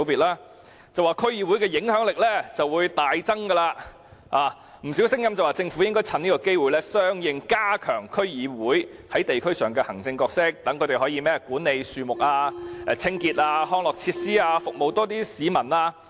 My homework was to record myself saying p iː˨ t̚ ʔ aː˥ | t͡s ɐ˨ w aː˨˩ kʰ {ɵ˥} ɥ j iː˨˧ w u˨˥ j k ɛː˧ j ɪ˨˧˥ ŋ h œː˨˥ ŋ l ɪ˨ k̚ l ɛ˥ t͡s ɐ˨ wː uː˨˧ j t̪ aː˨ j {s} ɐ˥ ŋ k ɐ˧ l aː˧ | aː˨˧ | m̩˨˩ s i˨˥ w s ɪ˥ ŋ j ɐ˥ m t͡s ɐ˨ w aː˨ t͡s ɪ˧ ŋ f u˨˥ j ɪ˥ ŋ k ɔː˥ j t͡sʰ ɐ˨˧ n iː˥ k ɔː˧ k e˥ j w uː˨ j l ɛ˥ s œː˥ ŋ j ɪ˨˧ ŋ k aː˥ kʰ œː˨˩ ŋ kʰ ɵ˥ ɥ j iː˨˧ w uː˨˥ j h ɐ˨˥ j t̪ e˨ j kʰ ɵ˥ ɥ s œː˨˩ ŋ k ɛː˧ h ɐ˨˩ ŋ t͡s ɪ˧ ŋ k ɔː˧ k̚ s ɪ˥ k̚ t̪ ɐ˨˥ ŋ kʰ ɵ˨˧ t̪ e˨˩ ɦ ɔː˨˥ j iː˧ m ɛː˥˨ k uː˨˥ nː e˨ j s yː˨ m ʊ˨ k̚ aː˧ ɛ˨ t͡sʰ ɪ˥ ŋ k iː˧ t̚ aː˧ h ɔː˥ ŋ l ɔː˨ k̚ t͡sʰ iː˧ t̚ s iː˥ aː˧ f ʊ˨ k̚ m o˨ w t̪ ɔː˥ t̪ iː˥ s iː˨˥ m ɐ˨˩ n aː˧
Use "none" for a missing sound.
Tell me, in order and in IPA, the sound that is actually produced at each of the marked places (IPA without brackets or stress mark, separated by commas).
ɵ˥, t͡s